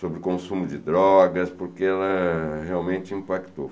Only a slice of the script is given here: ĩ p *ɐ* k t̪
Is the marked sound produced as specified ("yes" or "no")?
no